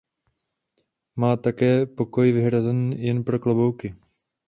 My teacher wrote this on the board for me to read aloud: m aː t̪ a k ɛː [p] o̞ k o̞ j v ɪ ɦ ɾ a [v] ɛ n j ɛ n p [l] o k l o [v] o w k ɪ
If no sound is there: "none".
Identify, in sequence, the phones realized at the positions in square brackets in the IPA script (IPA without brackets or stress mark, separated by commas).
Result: p, z, ɾ, b